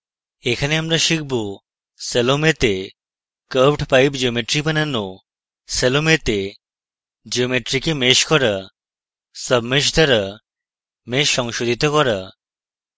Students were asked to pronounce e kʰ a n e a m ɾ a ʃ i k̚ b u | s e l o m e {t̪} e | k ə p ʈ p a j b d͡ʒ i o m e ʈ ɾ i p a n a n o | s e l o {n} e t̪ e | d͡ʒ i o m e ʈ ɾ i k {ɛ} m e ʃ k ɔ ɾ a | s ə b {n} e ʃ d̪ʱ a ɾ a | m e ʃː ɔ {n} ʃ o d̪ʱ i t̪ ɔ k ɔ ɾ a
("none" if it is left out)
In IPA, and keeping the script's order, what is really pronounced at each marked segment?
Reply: t̪, m, e, m, ŋ

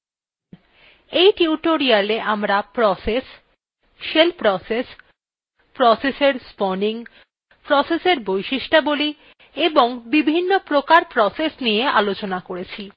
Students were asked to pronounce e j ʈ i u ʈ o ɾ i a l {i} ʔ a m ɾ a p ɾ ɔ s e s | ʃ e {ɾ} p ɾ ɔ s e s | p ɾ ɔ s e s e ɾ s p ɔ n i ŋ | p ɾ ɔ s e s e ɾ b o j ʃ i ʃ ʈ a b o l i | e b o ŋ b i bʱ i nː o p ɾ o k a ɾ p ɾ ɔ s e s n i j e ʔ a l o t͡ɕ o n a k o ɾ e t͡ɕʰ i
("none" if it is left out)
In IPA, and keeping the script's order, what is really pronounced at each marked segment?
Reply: e, l

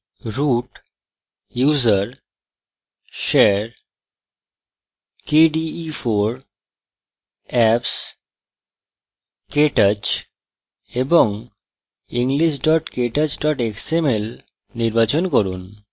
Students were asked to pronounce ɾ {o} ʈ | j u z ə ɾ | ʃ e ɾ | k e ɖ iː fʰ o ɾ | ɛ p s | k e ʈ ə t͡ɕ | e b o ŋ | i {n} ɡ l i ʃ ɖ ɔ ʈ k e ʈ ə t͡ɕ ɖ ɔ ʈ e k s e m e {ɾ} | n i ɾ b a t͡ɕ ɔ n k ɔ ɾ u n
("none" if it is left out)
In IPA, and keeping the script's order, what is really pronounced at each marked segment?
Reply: u, ŋ, l

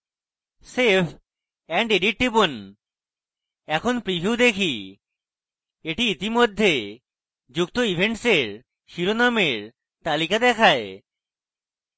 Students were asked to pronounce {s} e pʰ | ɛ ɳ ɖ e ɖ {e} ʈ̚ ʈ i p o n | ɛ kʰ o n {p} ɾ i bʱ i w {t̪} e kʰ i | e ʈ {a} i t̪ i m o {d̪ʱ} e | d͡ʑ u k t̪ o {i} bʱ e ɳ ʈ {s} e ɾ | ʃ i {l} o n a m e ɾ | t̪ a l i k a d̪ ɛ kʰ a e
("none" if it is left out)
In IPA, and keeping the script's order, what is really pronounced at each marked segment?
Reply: s, i, p, d̪, i, d̪ʱː, i, s, ɾ

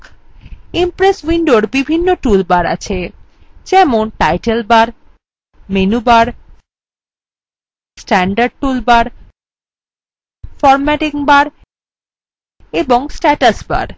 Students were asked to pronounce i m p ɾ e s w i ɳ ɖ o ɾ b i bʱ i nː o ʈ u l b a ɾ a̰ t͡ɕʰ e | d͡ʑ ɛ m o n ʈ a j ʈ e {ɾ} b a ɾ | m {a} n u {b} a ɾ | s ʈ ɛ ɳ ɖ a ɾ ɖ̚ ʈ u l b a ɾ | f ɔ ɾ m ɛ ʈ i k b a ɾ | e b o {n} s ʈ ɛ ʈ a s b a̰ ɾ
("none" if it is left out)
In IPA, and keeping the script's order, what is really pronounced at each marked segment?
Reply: l, e, b, ŋ

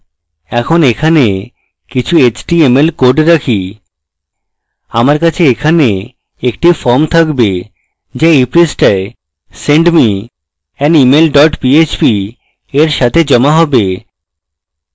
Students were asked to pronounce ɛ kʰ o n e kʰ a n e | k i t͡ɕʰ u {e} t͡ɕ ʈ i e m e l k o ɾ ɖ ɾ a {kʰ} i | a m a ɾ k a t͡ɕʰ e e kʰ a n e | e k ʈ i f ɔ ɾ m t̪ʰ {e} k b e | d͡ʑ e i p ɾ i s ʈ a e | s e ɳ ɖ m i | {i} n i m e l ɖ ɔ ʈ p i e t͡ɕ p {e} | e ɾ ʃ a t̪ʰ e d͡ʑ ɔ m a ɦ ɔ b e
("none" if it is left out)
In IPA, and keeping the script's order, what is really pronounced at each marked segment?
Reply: e, kʰ, a, ɛ, i

